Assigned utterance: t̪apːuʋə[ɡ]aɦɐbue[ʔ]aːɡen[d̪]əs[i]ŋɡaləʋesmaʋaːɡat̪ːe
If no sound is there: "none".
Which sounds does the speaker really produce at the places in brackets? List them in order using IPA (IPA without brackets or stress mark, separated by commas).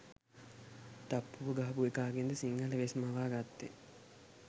ɡ, k, d̪, i